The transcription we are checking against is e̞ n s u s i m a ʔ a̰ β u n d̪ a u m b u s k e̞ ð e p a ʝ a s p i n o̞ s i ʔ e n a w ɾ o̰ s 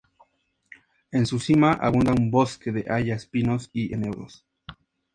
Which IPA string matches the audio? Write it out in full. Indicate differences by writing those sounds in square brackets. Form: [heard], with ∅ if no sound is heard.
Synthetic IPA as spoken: e̞ n s u s i m a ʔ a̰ β u n d̪ a u m b [o] s k e̞ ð e [ʔ] a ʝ a s p i n o̞ s i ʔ e n [e] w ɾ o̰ s